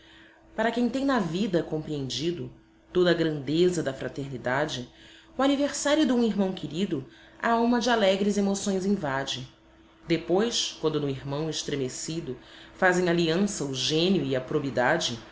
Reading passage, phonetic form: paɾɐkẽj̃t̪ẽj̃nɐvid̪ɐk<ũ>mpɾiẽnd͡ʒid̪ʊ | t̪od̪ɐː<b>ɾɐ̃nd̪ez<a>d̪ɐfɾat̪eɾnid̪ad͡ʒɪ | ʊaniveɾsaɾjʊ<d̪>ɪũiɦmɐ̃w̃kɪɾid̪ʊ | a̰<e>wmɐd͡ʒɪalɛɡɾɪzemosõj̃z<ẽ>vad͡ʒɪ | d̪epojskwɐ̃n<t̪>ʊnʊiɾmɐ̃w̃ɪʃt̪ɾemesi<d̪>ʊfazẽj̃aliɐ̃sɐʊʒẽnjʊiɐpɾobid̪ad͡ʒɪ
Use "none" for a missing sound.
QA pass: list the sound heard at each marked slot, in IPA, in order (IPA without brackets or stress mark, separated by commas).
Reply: õ, ɡ, ɐ, d̪, a, ĩ, d̪, d̪